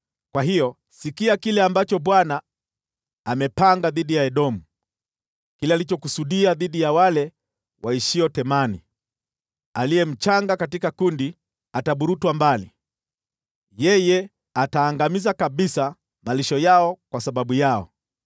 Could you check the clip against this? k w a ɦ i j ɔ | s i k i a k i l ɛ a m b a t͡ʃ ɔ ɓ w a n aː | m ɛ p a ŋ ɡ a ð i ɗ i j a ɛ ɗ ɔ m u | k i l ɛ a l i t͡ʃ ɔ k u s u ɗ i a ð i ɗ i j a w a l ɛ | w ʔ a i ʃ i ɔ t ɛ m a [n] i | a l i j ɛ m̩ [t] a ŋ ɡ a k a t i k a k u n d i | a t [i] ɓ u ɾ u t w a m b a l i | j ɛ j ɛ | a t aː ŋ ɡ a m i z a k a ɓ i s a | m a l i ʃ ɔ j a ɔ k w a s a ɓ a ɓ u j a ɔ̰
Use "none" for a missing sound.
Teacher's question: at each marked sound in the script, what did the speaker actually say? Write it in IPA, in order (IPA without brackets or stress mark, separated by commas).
n, t͡ʃ, a